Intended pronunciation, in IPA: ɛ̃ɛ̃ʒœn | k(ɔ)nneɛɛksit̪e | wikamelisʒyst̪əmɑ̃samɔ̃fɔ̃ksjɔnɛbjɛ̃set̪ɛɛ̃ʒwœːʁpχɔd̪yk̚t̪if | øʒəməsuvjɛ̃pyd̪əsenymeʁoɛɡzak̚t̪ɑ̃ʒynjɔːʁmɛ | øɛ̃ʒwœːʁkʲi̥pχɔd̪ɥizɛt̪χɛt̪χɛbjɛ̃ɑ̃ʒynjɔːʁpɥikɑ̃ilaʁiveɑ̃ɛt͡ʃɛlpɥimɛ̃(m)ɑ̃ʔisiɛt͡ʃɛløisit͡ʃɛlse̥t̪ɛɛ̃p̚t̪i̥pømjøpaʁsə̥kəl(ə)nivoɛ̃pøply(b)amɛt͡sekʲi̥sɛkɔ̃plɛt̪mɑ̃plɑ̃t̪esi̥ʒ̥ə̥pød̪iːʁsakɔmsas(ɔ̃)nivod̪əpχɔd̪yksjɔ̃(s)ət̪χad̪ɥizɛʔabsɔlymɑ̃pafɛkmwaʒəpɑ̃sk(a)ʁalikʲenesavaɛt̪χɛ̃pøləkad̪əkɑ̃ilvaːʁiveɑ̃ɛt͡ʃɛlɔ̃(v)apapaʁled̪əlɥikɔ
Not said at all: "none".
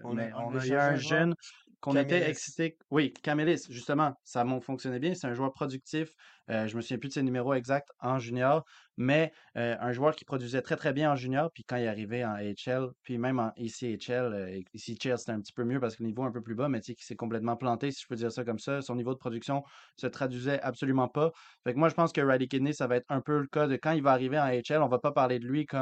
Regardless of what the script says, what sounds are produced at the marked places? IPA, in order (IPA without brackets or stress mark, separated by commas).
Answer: ɔ̃, m, ə, b, ɔ̃, s, ə, v